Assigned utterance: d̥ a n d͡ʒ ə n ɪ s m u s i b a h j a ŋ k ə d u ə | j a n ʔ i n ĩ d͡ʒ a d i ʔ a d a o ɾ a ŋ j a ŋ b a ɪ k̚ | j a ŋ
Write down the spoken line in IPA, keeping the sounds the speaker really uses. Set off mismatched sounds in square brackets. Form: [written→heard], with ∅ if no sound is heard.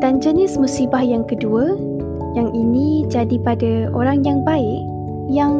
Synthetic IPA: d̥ a n d͡ʒ ə n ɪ s m u s i b a h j a ŋ k ə d u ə | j a [n→ŋ] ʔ i n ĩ d͡ʒ a d i [ʔ→p] a d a o ɾ a ŋ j a ŋ b a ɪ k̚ | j a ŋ